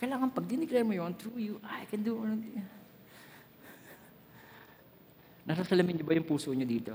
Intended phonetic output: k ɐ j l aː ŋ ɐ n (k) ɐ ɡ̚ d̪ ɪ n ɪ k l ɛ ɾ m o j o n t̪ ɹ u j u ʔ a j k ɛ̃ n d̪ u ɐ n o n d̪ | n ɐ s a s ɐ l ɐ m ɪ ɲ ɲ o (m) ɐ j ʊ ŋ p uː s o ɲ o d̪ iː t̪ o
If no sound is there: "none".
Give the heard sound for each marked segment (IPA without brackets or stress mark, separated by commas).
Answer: p, b